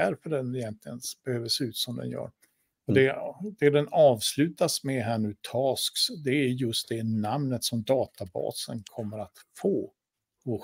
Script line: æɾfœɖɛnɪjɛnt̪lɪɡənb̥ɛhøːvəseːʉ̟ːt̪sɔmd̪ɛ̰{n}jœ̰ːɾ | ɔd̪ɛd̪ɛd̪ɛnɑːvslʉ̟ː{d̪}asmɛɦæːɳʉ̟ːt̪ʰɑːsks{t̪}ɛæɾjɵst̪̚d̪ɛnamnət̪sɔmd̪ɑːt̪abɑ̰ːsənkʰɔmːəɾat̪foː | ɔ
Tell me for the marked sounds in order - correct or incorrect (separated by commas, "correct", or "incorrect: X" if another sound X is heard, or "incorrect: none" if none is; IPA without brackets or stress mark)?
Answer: correct, incorrect: t̪, incorrect: d̪